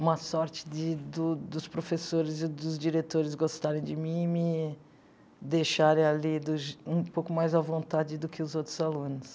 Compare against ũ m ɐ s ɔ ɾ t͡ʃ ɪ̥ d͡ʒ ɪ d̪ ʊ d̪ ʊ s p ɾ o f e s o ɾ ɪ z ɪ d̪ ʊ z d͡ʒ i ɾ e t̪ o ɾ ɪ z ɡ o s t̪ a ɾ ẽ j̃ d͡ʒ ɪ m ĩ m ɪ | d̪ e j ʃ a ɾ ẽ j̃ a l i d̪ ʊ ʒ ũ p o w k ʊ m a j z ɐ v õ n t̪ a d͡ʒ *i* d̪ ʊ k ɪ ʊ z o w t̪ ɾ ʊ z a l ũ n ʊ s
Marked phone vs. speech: incorrect: ɪ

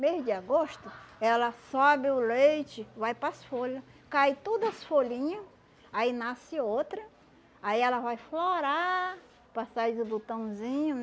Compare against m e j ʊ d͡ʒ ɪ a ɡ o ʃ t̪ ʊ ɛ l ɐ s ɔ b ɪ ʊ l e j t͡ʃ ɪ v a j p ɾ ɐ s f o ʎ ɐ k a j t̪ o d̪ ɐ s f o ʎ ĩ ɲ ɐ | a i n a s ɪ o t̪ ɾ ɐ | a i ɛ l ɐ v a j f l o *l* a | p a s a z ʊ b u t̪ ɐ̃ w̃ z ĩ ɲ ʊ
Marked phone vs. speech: incorrect: ɾ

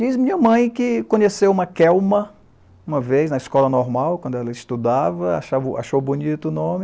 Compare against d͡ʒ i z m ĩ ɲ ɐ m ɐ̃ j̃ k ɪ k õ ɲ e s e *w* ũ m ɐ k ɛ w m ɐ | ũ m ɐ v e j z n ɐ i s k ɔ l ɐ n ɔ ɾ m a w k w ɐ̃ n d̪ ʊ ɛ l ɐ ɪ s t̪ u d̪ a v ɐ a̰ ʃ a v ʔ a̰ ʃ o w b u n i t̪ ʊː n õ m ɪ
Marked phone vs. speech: correct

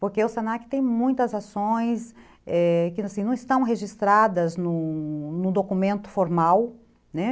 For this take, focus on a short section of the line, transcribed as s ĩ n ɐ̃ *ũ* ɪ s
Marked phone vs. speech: incorrect: w̃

